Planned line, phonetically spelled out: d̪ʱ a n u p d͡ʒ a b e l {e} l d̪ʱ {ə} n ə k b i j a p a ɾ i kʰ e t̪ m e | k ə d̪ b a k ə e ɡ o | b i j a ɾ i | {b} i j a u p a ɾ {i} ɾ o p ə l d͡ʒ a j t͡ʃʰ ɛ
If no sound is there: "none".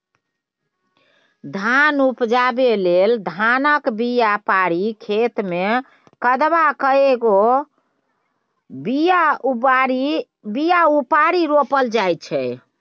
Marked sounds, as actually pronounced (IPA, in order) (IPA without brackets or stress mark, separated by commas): e, a, b, i